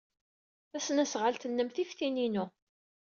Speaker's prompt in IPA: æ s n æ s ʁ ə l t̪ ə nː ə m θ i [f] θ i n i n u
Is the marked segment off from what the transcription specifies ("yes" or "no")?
no